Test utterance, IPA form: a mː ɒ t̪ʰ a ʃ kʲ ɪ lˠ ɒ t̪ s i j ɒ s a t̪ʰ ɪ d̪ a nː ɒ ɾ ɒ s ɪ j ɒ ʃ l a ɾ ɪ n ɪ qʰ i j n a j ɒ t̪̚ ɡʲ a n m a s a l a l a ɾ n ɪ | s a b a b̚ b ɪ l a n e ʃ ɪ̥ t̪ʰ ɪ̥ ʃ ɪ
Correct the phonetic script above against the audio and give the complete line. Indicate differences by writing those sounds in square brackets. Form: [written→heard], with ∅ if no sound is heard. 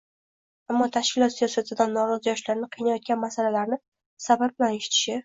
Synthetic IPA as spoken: a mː ɒ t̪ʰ a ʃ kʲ ɪ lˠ ɒ t̪ s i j ɒ s a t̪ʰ ɪ d̪ a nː ɒ ɾ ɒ [s→z] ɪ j ɒ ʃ l a ɾ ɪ n ɪ qʰ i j n a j ɒ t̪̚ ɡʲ a n m a s a l a l a ɾ n ɪ | s a b a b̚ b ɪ l a n e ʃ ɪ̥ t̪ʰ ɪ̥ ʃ ɪ